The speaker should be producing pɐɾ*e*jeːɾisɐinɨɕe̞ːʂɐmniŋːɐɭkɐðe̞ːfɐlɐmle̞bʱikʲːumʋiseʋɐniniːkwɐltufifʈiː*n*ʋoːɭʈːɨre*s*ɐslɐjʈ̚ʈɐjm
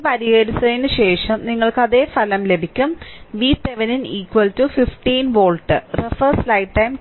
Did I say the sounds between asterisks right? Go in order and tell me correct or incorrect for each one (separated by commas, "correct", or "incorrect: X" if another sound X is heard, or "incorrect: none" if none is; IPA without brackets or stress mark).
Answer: incorrect: i, correct, incorrect: f